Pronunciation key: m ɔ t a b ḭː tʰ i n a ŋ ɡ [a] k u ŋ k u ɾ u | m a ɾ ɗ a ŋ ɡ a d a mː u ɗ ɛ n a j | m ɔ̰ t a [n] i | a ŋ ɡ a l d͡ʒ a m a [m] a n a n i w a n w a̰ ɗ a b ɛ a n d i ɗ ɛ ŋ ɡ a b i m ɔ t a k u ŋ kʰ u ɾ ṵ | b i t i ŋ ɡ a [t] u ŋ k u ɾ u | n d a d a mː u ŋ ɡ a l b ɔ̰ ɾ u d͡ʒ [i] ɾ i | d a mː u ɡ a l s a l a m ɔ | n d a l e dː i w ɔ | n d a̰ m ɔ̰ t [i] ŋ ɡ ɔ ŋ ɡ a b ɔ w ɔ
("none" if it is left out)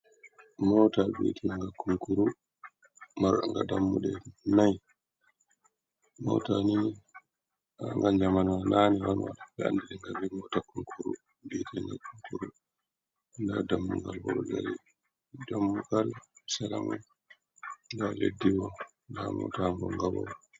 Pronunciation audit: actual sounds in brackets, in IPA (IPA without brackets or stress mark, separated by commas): a, n, n, k, a, a